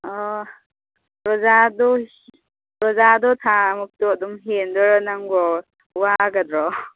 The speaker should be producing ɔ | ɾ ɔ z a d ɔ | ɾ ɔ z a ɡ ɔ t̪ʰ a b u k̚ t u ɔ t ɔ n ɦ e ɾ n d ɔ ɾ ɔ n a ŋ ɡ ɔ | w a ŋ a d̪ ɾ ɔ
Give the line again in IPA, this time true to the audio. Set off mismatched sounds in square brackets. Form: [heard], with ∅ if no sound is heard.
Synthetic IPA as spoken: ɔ | ɾ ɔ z a d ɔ | ɾ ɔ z a [d] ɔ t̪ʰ a [m] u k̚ t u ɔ [d] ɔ [m] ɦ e [∅] n d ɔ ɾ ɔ n a ŋ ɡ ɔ | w a [ɡ] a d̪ ɾ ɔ

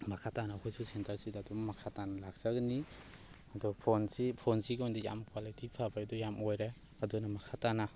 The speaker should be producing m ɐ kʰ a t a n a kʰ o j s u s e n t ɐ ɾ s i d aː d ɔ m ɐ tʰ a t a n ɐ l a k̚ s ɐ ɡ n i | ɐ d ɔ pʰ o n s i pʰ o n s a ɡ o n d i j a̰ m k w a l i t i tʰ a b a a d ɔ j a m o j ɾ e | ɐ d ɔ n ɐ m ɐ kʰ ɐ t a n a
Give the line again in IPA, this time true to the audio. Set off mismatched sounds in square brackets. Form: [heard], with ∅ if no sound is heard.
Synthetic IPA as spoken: m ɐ kʰ a t a n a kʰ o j s u s e n t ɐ ɾ s i d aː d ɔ m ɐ [kʰ] a t a n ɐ l a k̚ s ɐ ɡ n i | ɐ d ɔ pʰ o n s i pʰ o n s [i] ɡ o n d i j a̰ m k w a l i t i [pʰ] a b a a d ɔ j a m o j ɾ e | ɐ d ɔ n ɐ m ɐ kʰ [a] t a n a

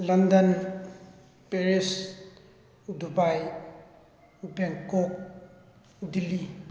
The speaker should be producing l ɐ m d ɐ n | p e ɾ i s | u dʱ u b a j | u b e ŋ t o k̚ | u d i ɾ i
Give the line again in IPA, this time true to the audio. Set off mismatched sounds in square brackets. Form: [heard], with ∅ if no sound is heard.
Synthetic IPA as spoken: l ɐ [n] d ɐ n | p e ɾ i s | u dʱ u b a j | u b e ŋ [k] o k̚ | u d i [l] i

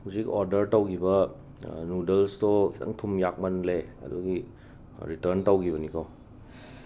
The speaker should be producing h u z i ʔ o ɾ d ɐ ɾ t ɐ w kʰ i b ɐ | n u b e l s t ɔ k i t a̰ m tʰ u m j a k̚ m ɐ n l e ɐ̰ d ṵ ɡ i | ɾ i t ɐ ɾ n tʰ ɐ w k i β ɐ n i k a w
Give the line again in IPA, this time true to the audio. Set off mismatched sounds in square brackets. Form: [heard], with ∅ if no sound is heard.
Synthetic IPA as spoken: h u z i [k] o ɾ d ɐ ɾ t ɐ w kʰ i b ɐ | n u [d] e l s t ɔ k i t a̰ [ŋ] tʰ u m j a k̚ m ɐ n l e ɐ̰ d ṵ ɡ i | ɾ i t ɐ ɾ n [t] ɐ w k i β ɐ n i k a w

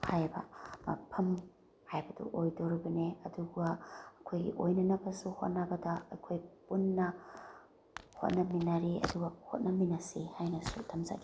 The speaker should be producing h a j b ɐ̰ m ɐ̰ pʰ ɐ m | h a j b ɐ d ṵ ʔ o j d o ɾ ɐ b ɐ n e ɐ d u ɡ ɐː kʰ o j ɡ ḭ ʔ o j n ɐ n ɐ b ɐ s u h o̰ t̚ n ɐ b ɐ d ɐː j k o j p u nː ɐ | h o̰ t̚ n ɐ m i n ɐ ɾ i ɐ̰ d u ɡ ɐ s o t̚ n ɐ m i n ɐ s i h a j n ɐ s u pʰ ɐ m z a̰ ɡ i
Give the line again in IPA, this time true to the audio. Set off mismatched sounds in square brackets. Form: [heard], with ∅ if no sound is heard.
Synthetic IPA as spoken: h a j b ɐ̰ m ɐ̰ pʰ ɐ m | h a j b ɐ d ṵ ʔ o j d o ɾ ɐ b ɐ n e ɐ d u ɡ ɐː kʰ o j ɡ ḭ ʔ o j n ɐ n ɐ b ɐ s u h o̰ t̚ n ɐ b ɐ d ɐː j [kʰ] o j p u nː ɐ | h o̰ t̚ n ɐ m i n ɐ ɾ i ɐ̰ d u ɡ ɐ [h] o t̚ n ɐ m i n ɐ s i h a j n ɐ s u [tʰ] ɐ m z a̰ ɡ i

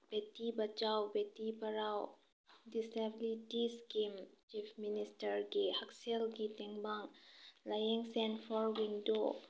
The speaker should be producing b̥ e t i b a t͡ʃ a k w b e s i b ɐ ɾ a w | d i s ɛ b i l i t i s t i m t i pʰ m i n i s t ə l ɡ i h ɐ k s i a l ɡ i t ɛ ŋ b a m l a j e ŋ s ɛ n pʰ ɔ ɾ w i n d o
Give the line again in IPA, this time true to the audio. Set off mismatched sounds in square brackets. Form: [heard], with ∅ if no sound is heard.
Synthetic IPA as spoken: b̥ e t i b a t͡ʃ a [∅] w b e [t] i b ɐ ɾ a w | d i s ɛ b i l i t i s [k] i m [t͡ʃ] i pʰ m i n i s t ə [ɾ] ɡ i h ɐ k s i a l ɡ i t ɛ ŋ b a [ŋ] l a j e ŋ s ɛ n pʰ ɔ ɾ w i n d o

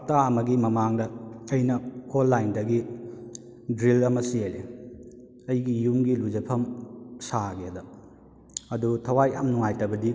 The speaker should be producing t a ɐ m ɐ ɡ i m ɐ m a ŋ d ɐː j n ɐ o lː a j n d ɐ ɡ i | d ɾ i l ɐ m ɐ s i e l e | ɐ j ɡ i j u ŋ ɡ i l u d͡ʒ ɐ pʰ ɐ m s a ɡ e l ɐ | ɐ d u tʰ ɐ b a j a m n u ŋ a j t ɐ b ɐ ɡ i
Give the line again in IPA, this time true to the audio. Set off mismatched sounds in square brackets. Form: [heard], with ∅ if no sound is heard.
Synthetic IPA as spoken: t a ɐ m ɐ ɡ i m ɐ m a ŋ d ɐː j n ɐ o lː a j n d ɐ ɡ i | d ɾ i l ɐ m ɐ s i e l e | ɐ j ɡ i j u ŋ ɡ i l u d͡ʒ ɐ pʰ ɐ m s a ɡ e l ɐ | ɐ d u tʰ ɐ [w] a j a m n u ŋ a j t ɐ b ɐ [d] i

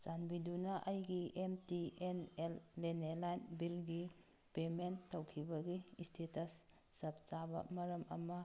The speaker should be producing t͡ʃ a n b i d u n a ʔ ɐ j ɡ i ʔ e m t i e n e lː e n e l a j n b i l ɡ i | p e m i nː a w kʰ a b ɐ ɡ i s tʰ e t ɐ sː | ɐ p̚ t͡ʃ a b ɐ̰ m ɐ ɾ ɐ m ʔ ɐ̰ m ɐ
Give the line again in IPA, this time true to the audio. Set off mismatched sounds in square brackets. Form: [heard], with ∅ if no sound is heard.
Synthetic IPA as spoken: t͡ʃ a n b i d u n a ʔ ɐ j ɡ i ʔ e m t i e n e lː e n e l a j n b i l ɡ i | p e m [e] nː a w kʰ [i] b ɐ ɡ i s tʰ e t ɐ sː | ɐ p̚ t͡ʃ a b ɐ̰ m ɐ ɾ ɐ m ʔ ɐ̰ m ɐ

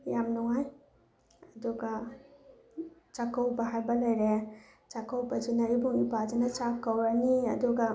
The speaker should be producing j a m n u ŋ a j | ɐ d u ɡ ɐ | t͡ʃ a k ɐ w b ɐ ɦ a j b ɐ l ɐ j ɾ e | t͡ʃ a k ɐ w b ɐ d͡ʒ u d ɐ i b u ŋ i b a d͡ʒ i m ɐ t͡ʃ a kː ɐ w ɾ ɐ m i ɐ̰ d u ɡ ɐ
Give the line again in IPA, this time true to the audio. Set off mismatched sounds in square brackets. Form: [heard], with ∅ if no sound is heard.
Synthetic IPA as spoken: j a m n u ŋ a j | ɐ d u ɡ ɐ | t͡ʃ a k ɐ w b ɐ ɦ a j b ɐ l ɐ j ɾ e | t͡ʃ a k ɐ w b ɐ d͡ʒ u [n] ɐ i b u ŋ i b a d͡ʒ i [n] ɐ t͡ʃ a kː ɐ w ɾ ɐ [n] i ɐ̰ d u ɡ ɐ

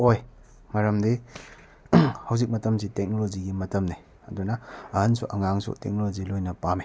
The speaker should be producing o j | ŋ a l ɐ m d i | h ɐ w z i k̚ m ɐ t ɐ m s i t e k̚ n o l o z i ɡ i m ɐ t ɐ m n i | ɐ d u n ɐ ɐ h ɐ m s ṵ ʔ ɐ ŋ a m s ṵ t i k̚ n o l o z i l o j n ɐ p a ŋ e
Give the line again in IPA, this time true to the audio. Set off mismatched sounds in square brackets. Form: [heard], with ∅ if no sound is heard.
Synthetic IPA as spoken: o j | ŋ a [ɾ] ɐ m d i | h ɐ w z i k̚ m ɐ t ɐ m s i t e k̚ n o l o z i ɡ i m ɐ t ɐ m n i | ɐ d u n ɐ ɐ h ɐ [n] s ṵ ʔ ɐ ŋ a [ŋ] s ṵ t [e] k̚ n o l o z i l o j n ɐ p a [m] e

